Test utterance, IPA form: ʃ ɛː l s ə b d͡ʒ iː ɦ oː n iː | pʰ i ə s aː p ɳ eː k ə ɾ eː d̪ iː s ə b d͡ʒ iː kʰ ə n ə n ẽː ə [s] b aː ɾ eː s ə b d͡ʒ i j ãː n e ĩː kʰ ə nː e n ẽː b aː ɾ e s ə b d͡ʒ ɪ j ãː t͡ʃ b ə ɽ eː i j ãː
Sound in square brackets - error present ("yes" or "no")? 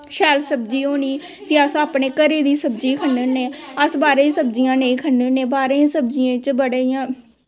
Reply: no